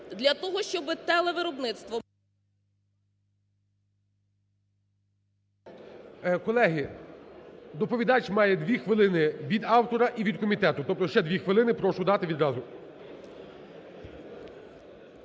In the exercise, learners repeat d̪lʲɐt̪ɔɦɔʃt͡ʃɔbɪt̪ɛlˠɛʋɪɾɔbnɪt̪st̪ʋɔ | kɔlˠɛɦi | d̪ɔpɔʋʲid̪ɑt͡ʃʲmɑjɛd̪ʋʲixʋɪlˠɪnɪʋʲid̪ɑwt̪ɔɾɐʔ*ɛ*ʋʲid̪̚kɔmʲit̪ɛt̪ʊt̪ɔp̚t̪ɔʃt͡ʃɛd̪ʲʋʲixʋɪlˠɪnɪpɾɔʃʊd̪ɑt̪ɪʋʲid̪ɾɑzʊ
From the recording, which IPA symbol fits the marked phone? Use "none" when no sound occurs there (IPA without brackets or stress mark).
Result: i